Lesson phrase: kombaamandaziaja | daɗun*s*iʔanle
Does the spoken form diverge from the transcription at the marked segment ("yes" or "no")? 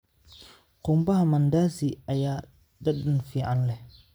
yes